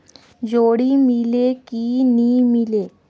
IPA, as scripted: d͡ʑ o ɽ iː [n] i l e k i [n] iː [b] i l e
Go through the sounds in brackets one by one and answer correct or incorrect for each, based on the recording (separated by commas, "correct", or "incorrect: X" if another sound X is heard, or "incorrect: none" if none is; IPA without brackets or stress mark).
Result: incorrect: m, correct, incorrect: m